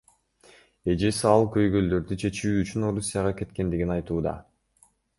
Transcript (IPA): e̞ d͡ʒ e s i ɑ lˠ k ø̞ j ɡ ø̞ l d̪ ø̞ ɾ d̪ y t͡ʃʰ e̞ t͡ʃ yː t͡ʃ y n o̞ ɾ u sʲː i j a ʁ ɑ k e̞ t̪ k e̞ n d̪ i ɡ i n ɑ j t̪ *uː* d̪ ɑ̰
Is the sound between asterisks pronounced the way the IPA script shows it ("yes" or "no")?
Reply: yes